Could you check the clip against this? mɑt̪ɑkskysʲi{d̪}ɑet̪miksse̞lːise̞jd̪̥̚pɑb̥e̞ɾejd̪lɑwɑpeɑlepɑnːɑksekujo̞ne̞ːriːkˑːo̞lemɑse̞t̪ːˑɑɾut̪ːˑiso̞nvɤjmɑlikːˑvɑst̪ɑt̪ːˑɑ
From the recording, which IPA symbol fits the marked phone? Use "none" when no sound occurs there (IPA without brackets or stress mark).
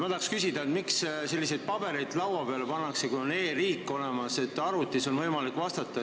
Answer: d̪